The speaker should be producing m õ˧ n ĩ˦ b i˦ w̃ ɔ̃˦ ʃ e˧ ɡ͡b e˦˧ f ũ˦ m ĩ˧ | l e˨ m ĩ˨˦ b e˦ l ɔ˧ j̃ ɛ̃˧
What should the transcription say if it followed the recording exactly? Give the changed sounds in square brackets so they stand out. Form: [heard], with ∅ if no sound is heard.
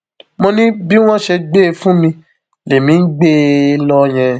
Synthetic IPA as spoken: m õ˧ n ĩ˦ b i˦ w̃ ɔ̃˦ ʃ e˧ ɡ͡b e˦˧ f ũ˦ m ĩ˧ | l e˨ m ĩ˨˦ [ɡ͡b] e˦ l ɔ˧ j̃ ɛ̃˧